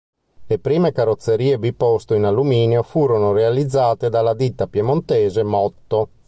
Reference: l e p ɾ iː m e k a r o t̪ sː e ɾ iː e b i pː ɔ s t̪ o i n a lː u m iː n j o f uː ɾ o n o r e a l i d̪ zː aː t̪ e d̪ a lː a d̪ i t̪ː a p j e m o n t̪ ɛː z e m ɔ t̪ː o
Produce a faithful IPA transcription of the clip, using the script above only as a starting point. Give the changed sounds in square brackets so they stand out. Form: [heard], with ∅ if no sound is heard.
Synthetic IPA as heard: l e p ɾ iː m e k a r o t̪ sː e ɾ iː e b i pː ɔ s t̪ o i n a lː u m iː n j o f uː ɾ o n o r e a l i d̪ zː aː t̪ e d̪ a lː a d̪ i t̪ː a p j e m o n t̪ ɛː z e m ɔ t̪ː o